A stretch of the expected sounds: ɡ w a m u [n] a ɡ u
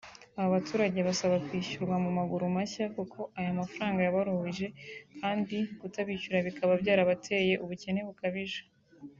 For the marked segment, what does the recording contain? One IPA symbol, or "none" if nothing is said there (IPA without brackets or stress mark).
m